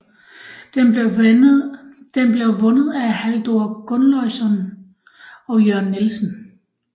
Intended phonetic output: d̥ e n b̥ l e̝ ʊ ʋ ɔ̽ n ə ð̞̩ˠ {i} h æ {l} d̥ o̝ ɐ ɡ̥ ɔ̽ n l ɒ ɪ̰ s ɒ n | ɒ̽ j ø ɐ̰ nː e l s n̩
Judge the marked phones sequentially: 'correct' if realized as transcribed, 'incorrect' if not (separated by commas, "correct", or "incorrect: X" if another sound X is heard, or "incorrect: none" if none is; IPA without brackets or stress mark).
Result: incorrect: æ, correct